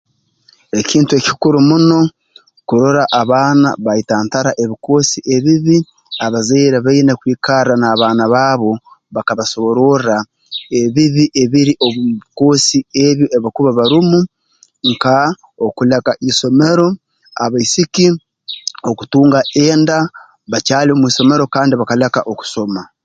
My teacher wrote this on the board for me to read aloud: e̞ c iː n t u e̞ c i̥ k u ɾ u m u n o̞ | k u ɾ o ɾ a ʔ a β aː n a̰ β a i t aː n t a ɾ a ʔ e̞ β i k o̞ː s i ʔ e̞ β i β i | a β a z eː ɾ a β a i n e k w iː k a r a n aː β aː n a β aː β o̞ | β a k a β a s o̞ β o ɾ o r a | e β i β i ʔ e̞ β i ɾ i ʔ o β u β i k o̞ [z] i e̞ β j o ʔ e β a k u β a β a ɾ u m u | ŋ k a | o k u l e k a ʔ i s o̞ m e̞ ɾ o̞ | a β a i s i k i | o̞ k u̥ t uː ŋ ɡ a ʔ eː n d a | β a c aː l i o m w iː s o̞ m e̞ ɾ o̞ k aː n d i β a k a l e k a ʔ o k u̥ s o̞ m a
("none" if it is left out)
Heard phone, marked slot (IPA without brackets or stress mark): s